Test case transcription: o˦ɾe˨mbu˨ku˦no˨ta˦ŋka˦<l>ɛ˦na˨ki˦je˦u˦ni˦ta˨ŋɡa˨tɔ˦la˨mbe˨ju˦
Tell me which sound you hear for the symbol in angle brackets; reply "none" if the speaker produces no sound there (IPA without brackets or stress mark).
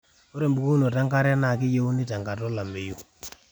ɾ